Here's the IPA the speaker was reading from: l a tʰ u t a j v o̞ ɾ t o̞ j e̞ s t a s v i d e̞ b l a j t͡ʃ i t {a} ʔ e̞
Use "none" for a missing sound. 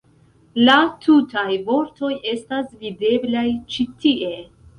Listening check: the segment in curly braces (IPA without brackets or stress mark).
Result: i